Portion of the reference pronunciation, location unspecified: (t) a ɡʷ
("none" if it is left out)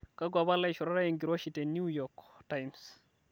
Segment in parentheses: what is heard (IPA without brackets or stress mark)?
k